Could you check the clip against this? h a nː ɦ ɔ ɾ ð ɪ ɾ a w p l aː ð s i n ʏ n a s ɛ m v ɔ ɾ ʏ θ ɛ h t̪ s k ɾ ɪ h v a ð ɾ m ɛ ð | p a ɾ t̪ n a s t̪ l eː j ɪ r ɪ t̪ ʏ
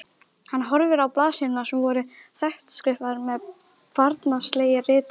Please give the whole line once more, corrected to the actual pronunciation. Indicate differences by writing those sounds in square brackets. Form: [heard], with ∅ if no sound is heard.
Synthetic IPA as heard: h a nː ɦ ɔ ɾ [v] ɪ ɾ a w p l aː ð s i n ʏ n a s ɛ m v ɔ ɾ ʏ θ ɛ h t̪ s k ɾ ɪ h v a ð ɾ m ɛ ð | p a ɾ t̪ n a s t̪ l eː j ɪ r [ɪː] t̪ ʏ